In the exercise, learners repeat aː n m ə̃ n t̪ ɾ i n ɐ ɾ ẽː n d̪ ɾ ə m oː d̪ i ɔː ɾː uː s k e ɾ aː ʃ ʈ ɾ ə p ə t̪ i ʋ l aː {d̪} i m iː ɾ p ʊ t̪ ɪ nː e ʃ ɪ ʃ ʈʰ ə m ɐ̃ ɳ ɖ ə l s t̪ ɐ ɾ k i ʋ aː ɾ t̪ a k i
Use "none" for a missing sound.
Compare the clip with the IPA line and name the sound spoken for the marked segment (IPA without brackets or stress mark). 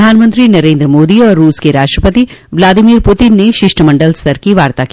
d̪